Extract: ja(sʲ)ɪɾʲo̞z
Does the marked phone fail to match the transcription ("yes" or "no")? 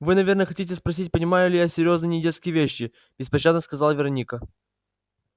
no